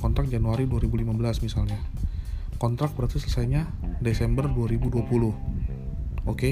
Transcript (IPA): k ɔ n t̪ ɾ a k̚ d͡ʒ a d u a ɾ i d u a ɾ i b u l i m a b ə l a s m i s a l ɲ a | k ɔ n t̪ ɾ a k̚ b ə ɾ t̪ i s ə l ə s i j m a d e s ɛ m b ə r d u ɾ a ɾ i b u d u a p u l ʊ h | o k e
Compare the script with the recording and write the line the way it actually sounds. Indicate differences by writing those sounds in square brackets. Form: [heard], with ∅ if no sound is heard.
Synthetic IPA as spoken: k ɔ n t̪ ɾ a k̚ d͡ʒ a [n] u a ɾ i d u a ɾ i b u l i m a b ə l a s m i s a l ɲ a | k ɔ n t̪ ɾ a k̚ b ə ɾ t̪ i s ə l ə s [a] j [ɲ] a d e s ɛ m b ə r d u [∅] a ɾ i b u d u a p u l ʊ h | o k e